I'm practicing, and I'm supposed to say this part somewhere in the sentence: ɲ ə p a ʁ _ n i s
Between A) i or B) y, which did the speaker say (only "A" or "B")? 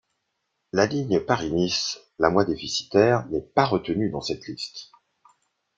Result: A